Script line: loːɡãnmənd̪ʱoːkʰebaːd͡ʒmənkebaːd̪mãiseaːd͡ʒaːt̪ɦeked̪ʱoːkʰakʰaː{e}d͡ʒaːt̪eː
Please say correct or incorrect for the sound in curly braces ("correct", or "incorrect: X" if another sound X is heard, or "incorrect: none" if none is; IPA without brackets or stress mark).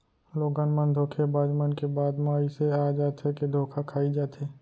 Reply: incorrect: i